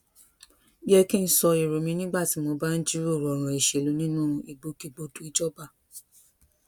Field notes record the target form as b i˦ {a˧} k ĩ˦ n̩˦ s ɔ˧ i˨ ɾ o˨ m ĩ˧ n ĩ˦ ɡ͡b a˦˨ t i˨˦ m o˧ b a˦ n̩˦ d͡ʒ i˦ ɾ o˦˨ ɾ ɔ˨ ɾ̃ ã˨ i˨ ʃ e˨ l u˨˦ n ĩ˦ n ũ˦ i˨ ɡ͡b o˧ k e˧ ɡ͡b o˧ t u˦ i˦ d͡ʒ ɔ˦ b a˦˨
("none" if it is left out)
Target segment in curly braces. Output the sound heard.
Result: ɛ˧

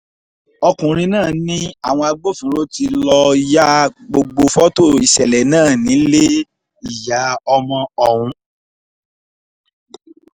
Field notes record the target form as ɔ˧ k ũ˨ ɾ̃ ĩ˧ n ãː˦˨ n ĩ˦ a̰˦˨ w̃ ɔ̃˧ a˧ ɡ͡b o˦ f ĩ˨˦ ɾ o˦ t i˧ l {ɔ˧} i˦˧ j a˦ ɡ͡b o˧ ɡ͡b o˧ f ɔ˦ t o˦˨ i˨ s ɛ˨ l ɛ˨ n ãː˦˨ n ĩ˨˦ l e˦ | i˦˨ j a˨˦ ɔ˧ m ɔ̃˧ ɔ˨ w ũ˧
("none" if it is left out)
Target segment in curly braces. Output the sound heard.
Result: ɔ˧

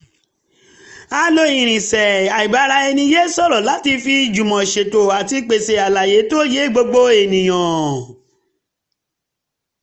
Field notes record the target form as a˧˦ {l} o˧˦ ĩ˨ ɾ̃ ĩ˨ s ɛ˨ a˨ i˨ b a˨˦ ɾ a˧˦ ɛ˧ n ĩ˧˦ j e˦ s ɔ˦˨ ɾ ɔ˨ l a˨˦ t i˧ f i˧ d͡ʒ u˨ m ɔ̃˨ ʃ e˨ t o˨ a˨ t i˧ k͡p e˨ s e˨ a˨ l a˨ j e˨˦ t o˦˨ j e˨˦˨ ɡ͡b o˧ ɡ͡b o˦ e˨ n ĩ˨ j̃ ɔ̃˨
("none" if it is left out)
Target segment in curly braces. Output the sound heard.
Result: l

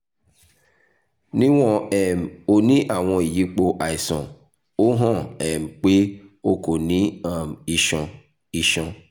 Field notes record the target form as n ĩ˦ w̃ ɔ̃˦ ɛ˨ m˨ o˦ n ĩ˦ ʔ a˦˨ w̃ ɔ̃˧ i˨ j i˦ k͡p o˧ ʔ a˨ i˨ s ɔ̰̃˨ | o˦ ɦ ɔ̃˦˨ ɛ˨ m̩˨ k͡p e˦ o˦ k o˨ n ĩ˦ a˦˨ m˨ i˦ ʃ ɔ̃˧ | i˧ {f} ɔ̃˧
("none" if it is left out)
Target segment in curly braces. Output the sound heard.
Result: ʃ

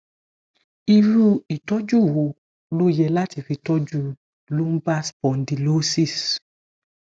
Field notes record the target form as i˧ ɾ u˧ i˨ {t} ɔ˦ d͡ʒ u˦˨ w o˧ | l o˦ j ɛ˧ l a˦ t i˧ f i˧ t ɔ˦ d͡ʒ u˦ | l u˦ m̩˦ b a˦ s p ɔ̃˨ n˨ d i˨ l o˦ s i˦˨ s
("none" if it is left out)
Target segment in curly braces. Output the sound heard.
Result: t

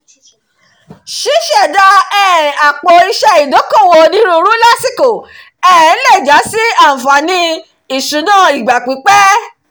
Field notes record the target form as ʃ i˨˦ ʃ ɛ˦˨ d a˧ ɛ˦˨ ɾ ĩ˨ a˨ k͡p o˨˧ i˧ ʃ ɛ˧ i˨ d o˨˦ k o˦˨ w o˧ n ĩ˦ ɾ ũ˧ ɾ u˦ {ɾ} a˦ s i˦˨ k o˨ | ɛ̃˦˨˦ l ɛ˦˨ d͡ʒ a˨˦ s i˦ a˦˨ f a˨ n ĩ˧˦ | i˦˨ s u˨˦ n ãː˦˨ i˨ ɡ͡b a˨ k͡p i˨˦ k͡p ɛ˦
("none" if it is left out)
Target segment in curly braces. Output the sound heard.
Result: l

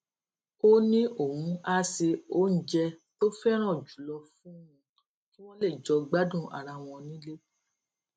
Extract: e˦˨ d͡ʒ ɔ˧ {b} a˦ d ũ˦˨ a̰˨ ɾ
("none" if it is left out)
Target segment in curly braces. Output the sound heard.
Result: ɡ͡b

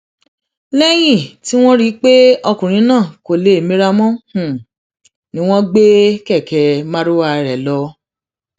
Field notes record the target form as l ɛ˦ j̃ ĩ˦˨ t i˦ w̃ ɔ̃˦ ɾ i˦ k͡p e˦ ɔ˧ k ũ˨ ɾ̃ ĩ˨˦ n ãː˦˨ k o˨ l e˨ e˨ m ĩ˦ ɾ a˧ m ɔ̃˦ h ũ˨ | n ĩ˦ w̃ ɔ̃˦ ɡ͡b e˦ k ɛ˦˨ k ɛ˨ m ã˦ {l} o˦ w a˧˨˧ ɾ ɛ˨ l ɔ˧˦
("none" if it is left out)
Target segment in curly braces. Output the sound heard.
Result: ɾ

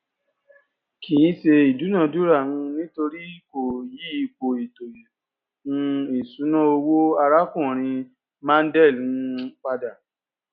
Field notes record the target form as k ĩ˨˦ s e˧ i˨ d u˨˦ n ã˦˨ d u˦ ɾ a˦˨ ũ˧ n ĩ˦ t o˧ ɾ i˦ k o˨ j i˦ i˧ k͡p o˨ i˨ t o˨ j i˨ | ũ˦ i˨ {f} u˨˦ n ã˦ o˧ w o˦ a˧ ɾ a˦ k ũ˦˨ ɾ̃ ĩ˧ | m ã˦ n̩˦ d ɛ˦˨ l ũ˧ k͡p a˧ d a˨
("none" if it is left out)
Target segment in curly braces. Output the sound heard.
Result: s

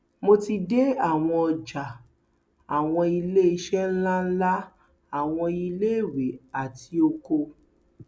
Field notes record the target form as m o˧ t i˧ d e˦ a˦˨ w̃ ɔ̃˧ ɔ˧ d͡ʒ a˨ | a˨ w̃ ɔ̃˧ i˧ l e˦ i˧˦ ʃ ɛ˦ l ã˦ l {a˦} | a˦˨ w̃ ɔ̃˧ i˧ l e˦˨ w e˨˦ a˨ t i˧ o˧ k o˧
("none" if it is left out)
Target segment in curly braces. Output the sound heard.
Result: a˦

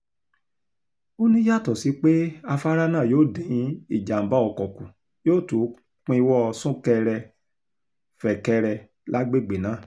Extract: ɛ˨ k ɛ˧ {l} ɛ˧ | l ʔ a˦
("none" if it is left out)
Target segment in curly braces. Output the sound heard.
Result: ɾ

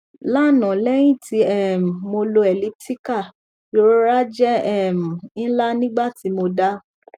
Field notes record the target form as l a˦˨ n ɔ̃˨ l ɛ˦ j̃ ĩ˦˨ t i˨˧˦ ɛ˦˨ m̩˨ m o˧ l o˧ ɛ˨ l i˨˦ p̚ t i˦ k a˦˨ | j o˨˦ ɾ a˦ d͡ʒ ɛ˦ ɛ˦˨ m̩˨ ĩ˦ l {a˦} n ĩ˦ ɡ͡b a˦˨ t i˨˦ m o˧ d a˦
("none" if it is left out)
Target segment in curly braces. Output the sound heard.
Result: a˦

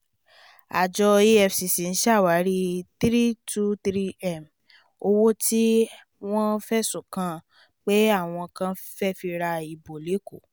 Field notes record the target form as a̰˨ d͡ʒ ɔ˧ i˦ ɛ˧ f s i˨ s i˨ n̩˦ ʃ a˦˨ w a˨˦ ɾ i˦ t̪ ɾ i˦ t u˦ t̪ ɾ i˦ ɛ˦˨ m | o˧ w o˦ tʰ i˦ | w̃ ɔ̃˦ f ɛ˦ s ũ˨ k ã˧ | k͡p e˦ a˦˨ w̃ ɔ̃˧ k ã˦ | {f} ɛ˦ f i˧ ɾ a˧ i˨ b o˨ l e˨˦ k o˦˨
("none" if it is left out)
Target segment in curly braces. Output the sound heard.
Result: f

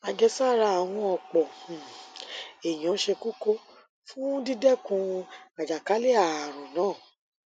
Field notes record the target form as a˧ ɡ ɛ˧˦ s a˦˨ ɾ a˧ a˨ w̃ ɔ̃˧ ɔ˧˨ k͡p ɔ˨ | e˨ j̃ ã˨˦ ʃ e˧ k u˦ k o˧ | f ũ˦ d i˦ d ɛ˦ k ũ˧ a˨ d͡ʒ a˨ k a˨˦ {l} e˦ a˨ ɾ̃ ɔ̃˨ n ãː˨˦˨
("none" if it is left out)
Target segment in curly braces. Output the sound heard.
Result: l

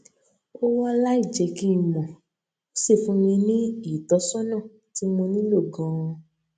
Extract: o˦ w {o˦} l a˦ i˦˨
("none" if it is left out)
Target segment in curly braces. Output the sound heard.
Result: ɔ˦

